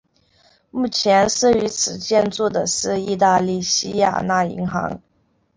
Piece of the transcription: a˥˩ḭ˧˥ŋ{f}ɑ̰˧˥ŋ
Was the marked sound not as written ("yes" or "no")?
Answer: yes